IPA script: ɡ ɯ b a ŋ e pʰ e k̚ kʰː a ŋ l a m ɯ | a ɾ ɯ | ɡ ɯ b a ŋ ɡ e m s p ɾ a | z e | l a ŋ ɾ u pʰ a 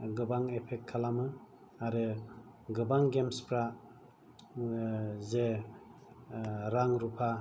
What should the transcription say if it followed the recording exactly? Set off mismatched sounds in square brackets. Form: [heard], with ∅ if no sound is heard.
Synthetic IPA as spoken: ɡ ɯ b a ŋ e pʰ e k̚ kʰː a [∅] l a m ɯ | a ɾ ɯ | ɡ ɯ b a ŋ ɡ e m s p ɾ a | z e | [ɾ] a ŋ ɾ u pʰ a

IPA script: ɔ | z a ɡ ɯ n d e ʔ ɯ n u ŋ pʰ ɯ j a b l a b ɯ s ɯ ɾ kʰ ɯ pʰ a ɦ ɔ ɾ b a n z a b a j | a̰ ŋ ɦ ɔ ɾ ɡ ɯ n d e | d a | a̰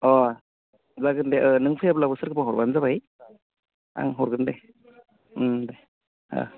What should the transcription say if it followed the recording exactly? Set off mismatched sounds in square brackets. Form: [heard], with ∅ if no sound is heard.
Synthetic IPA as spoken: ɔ | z a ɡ ɯ n d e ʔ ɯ n [ɯ] ŋ pʰ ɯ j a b l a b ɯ s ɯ ɾ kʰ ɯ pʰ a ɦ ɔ ɾ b a n z a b a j | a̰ ŋ ɦ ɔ ɾ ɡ ɯ n d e | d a | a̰

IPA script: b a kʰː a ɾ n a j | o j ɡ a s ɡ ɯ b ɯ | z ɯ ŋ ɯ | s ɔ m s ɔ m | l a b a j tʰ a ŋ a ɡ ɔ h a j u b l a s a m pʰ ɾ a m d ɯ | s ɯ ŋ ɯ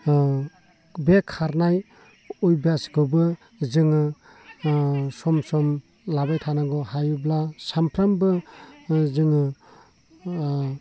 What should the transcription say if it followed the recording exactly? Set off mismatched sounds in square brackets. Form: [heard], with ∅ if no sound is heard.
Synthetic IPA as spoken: b [e] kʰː a ɾ n a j | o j [b] a s ɡ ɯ b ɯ | z ɯ ŋ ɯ | s ɔ m s ɔ m | l a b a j tʰ a [n] a ɡ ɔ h a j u b l a s a m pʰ ɾ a m [b] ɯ | [z] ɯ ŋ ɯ

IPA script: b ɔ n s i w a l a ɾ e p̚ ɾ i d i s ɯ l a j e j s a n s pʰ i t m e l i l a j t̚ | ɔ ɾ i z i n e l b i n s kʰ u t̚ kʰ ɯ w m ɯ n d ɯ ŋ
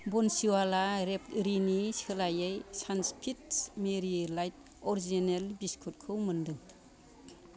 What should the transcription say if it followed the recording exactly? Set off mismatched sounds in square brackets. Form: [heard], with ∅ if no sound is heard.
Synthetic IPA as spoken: b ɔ n s i w a l a ɾ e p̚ ɾ i [n] i s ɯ l a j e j s a n s pʰ i t m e [ɾ] i l a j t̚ | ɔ ɾ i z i n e l b i [∅] s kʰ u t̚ kʰ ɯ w m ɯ n d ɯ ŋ

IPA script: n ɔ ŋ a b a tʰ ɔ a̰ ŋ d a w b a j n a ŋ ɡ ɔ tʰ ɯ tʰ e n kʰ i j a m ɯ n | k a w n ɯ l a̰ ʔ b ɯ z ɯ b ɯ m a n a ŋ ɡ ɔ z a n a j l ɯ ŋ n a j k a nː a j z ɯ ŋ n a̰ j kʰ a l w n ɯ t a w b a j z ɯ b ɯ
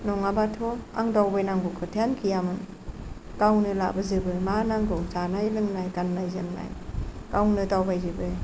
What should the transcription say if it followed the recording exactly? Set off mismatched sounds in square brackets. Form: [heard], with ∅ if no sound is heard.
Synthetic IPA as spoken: n ɔ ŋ a b a tʰ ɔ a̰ ŋ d a w b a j n a ŋ ɡ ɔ [kʰ] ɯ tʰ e n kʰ i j a m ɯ n | k a w n ɯ l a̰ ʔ b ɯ z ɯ b ɯ m a n a ŋ ɡ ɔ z a n a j l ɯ ŋ n a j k a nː a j z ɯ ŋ n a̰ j [k] a [∅] w n ɯ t a w b a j z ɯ b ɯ

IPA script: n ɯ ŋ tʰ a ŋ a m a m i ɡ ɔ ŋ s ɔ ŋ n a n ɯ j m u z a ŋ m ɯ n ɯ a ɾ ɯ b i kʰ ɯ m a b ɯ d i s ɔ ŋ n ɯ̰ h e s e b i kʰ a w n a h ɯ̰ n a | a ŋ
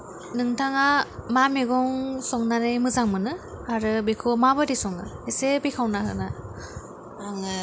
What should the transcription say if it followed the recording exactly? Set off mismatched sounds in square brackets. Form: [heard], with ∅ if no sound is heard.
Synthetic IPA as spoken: n ɯ ŋ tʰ a ŋ a m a m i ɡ ɔ ŋ s ɔ ŋ n a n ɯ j m [ɯ] z a ŋ m ɯ n ɯ a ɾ ɯ b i kʰ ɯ m a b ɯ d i s ɔ ŋ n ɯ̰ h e s e b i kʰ a w n a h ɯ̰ n a | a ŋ

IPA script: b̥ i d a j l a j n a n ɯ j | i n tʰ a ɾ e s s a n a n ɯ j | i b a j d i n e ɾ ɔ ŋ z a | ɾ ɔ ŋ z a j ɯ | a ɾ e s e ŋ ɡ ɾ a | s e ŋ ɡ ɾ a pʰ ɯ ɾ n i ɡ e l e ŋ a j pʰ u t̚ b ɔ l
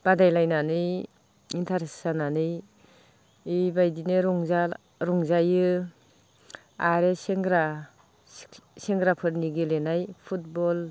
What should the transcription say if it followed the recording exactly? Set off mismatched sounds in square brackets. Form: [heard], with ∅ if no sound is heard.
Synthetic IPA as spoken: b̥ [a] d a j l a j n a n ɯ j | i n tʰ a ɾ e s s a n a n ɯ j | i b a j d i n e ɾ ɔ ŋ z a | ɾ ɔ ŋ z a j ɯ | a ɾ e s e ŋ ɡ ɾ a | s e ŋ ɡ ɾ a pʰ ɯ ɾ n i ɡ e l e [n] a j pʰ u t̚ b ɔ l

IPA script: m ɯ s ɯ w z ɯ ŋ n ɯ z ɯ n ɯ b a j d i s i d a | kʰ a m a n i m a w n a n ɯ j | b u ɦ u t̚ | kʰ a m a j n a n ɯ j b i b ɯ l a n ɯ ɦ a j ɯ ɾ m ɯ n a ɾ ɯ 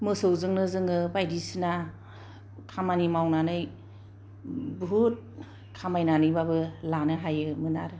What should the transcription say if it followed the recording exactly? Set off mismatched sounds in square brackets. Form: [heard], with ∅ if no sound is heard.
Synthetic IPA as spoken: m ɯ s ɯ w z ɯ ŋ n ɯ z ɯ [ŋ] ɯ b a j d i s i [n] a | kʰ a m a n i m a w n a n ɯ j | b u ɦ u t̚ | kʰ a m a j n a n ɯ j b [a] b ɯ l a n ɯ ɦ a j ɯ [∅] m ɯ n a ɾ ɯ

